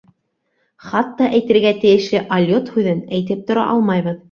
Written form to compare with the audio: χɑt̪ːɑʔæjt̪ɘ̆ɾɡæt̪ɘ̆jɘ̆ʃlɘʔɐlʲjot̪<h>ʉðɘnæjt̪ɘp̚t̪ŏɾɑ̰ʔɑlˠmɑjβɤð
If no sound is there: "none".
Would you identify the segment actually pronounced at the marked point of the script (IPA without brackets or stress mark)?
h